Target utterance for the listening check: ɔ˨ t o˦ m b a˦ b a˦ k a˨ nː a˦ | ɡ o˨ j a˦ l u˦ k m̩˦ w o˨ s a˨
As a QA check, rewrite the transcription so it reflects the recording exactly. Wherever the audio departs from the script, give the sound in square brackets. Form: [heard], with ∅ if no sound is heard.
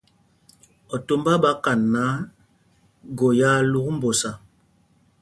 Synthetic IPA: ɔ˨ t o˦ m b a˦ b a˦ k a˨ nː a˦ | ɡ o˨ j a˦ l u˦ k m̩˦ [b] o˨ s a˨